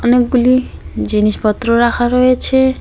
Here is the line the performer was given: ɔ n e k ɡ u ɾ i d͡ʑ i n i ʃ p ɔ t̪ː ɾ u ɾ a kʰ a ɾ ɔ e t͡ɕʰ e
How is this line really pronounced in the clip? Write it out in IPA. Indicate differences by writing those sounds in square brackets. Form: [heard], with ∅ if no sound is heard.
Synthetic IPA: ɔ n e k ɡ u [l] i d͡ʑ i n i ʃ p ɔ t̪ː ɾ [o] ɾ a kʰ a ɾ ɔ e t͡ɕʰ e